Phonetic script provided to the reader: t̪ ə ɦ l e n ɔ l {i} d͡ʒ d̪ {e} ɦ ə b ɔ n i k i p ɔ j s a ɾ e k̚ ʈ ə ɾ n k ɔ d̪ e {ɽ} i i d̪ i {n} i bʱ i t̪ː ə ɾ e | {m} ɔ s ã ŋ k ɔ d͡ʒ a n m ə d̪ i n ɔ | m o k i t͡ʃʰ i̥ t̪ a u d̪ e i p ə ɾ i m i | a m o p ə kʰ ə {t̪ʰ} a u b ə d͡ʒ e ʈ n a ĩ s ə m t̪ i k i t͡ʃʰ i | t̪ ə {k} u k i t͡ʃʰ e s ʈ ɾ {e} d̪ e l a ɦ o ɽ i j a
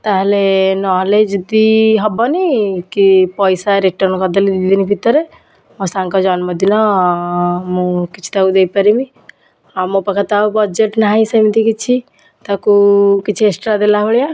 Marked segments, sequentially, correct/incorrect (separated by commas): incorrect, incorrect, incorrect, correct, correct, incorrect, correct, incorrect